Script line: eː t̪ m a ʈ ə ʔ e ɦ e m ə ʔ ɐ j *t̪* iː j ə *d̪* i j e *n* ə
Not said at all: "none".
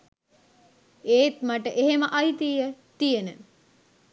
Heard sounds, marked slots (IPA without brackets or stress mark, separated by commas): t̪, t̪, n